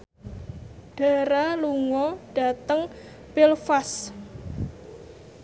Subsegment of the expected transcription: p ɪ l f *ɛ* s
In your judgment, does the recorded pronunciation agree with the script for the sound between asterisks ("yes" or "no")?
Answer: no